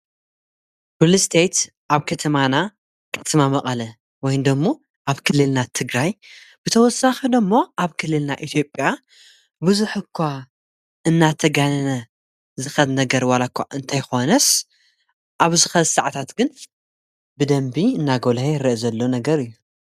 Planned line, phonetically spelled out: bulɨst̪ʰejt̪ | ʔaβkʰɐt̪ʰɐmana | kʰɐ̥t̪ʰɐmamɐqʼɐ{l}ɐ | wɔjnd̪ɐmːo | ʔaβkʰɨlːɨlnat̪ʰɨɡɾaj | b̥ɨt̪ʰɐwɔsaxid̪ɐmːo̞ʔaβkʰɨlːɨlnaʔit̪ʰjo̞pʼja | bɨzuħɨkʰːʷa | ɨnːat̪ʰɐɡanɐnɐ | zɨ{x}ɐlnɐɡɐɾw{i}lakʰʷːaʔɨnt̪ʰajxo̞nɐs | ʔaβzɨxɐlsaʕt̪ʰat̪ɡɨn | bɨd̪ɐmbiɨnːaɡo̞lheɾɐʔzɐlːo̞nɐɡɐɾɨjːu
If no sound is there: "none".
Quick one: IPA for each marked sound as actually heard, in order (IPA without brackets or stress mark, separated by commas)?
l, x, a